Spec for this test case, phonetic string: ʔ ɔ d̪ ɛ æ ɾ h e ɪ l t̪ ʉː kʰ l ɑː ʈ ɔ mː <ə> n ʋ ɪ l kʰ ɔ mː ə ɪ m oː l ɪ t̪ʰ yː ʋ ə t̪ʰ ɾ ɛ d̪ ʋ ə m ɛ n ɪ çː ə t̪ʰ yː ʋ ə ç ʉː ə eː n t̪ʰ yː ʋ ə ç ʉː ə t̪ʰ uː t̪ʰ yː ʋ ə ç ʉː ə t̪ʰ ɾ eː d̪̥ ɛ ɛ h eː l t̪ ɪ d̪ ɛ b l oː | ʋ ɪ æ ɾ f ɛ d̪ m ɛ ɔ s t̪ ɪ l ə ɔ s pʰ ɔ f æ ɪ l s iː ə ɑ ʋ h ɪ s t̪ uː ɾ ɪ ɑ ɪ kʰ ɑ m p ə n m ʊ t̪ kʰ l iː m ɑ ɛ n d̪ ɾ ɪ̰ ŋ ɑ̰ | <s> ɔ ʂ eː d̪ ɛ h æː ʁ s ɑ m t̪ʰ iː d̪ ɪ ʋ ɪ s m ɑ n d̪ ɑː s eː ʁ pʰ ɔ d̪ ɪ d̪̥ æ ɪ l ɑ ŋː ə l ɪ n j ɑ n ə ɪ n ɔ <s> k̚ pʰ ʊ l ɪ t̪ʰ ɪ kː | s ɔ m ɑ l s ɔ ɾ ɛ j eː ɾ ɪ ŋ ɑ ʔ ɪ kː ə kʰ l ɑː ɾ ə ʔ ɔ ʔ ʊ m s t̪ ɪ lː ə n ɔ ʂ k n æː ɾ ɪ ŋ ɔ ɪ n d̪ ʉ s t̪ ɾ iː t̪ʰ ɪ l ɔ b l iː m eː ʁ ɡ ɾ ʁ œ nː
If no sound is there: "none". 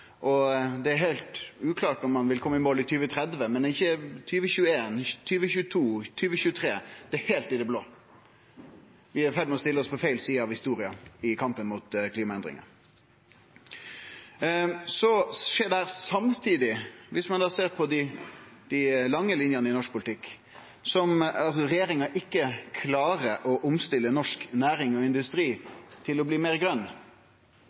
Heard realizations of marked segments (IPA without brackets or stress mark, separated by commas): ɑ, s, ʂ